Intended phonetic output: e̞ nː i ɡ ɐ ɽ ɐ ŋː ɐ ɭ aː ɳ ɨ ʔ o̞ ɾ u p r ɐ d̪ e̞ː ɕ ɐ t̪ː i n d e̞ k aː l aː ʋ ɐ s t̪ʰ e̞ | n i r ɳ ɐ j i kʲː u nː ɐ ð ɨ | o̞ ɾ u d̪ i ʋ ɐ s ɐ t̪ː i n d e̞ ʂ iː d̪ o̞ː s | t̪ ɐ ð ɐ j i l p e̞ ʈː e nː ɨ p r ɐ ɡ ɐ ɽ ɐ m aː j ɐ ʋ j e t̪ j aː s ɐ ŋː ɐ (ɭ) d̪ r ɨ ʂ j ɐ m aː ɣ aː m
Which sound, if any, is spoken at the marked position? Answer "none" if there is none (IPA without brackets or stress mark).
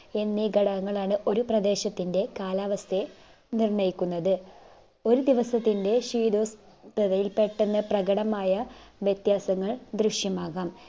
ɭ